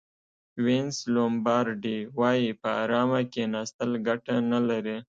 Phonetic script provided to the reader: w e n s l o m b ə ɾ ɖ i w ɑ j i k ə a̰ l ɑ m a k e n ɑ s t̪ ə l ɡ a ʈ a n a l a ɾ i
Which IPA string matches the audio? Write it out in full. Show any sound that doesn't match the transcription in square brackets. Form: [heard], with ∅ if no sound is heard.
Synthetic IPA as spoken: w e n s l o m b [ɑ] ɾ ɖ i w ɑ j i [p] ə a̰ [ɾ] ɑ m a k e n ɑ s t̪ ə l ɡ a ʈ a n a l a ɾ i